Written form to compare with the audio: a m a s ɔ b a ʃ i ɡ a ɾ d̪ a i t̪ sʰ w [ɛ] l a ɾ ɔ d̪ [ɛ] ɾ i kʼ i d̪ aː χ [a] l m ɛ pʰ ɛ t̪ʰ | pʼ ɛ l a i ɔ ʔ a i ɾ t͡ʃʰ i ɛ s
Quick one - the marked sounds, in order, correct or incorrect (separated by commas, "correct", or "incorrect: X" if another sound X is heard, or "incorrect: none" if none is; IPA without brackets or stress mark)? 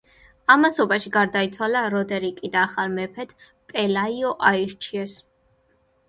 incorrect: a, correct, correct